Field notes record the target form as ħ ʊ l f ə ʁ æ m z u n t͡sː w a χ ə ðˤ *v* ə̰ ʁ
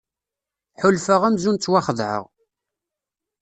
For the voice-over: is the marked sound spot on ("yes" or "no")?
no